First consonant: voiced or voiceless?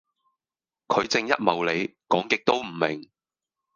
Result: voiceless